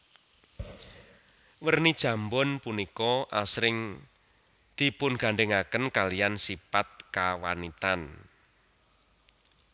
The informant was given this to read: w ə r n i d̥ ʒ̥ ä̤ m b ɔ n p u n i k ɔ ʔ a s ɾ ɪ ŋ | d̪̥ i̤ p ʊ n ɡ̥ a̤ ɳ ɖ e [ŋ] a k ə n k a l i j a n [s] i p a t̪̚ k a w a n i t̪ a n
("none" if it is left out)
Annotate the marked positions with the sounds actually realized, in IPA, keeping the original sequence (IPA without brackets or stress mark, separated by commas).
ŋ, s